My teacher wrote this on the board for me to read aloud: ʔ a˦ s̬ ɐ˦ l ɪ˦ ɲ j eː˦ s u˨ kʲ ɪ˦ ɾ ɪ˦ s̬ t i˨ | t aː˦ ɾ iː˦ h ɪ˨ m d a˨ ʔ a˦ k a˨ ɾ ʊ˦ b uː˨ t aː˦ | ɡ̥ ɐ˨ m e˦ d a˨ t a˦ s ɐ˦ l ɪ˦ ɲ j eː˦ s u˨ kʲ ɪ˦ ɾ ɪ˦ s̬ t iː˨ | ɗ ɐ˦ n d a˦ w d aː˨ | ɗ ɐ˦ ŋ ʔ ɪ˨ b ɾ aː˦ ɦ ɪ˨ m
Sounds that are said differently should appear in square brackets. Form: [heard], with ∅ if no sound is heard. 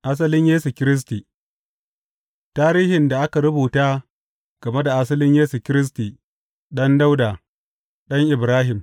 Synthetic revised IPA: ʔ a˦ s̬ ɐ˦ l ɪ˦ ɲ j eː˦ s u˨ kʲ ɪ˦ ɾ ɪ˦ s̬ t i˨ | t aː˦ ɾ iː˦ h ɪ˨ [n] d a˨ ʔ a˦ k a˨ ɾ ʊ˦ b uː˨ t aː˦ | ɡ̥ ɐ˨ m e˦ d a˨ [ʔ] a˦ s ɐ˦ l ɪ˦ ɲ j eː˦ s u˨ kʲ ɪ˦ ɾ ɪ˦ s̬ t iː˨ | ɗ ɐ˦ n d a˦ w d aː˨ | ɗ ɐ˦ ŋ ʔ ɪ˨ b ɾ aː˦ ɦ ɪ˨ m

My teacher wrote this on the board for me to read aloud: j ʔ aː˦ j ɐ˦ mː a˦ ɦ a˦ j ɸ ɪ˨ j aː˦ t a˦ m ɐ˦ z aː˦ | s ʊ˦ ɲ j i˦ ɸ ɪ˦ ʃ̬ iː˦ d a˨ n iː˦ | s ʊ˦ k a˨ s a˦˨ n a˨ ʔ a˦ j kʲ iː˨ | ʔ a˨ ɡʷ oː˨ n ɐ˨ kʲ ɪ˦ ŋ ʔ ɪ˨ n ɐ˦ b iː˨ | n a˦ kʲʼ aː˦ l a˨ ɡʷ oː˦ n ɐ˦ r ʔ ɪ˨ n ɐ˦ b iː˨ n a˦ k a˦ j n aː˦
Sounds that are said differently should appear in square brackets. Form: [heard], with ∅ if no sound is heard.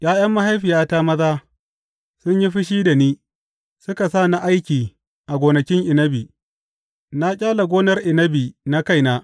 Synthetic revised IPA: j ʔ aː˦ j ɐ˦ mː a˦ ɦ a˦ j ɸ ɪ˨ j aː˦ t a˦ m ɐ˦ z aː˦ | s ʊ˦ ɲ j i˦ ɸ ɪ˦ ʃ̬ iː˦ d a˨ n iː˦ | s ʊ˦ k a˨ s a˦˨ n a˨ ʔ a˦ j kʲ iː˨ | ʔ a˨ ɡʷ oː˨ n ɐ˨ kʲ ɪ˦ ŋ ʔ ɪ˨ n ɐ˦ b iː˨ | n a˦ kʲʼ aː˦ l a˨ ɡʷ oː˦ n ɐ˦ r ʔ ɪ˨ n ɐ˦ b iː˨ n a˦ k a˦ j n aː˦

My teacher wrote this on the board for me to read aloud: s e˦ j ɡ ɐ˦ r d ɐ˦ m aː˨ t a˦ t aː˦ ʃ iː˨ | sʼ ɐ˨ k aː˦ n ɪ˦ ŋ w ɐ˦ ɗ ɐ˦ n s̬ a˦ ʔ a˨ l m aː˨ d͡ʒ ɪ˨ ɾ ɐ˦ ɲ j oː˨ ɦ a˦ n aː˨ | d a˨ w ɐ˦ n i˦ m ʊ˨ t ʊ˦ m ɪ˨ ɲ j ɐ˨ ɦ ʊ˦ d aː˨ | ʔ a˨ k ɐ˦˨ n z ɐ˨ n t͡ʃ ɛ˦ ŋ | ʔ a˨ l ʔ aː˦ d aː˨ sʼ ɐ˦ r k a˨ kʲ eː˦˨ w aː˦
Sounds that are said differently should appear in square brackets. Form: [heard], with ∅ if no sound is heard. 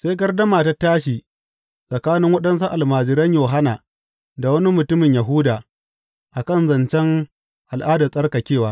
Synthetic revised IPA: s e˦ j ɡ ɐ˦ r d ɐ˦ m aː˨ t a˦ t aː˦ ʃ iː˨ | sʼ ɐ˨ k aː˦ n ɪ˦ ŋ w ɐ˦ ɗ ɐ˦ n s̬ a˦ ʔ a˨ l m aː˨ d͡ʒ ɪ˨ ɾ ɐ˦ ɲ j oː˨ ɦ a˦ n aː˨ | d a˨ w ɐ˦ n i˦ m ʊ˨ t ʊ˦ m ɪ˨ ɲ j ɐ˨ ɦ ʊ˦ d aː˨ | ʔ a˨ k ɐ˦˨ n z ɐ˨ n t͡ʃ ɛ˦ ŋ | ʔ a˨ l ʔ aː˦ d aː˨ sʼ ɐ˦ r k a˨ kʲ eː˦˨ w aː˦

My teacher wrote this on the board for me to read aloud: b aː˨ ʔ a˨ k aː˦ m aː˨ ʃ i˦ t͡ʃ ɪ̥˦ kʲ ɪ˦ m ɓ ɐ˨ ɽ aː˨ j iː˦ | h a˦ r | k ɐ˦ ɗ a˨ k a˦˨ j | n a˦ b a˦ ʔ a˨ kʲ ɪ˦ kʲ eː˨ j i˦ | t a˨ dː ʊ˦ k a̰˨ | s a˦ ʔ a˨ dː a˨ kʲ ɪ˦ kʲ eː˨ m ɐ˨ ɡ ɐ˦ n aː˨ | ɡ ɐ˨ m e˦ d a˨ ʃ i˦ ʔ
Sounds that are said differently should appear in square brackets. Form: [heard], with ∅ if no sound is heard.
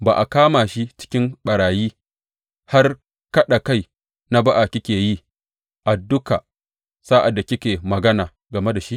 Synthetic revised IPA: b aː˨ ʔ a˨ k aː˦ m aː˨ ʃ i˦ t͡ʃ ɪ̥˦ kʲ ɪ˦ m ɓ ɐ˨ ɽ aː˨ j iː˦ | h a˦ r | k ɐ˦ ɗ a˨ k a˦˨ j | n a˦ b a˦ ʔ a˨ kʲ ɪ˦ kʲ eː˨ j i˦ | [ʔ] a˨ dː ʊ˦ k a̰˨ | s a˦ ʔ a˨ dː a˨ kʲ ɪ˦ kʲ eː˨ m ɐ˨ ɡ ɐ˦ n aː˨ | ɡ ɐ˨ m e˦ d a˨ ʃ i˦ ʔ

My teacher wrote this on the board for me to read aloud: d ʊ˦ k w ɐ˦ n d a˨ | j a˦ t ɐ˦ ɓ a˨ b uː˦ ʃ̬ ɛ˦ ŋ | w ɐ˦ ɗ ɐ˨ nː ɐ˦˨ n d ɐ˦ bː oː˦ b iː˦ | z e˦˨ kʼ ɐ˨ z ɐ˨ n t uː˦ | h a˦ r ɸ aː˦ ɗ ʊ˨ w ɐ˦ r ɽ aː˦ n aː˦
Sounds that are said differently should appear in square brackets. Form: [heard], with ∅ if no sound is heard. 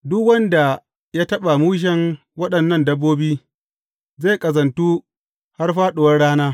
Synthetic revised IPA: d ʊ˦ k w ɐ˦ n d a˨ | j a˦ t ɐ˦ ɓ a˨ [m] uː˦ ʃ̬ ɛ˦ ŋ | w ɐ˦ ɗ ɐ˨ nː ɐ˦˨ n d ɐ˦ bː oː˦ b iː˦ | z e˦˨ kʼ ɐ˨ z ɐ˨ n t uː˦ | h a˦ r ɸ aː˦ ɗ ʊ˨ w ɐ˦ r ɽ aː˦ n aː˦

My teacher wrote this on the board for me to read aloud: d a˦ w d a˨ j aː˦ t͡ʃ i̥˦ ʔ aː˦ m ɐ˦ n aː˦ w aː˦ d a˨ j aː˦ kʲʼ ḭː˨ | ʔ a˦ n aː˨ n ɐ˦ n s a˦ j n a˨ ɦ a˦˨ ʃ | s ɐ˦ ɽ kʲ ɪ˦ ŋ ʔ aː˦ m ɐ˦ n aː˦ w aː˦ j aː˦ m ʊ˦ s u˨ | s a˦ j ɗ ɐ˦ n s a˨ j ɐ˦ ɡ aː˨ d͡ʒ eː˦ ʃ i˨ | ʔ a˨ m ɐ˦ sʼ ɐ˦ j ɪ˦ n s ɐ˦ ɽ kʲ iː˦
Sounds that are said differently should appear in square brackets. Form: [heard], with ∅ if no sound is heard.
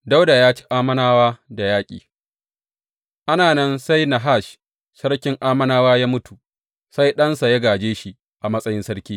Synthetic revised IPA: d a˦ w d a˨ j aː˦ t͡ʃ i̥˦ ʔ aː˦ m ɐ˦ n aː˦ w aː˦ d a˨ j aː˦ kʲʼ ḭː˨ | ʔ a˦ n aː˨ n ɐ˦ n s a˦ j n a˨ ɦ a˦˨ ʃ | s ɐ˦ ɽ kʲ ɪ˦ ŋ ʔ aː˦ m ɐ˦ n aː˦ w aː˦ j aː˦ m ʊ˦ [t] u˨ | s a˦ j ɗ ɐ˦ n s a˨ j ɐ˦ ɡ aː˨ d͡ʒ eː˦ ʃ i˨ | ʔ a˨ m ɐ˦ sʼ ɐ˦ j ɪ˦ n s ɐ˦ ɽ kʲ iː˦

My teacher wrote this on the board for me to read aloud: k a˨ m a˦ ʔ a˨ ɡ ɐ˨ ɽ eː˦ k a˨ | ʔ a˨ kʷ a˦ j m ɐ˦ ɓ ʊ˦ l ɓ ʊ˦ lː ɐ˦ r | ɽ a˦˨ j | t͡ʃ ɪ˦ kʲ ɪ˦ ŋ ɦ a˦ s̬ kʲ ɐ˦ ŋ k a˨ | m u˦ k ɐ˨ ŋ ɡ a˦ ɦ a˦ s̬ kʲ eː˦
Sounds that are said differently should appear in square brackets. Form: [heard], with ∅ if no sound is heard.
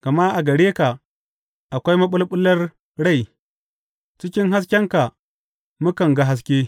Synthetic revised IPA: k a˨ m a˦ ʔ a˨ ɡ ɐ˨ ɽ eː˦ k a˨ | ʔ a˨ kʷ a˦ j m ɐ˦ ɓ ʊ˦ l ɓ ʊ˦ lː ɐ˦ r | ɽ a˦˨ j | t͡ʃ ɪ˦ kʲ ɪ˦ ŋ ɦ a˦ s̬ kʲ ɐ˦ ŋ k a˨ | m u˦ k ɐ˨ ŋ ɡ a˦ ɦ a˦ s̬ kʲ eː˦

